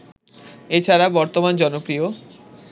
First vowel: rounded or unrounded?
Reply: unrounded